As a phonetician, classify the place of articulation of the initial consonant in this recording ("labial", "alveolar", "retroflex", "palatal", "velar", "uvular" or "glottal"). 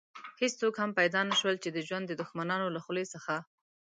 glottal